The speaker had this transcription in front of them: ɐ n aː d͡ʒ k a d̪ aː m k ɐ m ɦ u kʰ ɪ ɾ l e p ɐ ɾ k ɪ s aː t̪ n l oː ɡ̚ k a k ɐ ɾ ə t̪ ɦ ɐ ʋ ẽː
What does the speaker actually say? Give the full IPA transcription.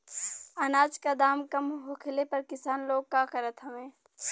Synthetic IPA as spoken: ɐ n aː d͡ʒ k a d̪ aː m k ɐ m ɦ o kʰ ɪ l e p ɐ ɾ k ɪ s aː n l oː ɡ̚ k a k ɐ ɾ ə t̪ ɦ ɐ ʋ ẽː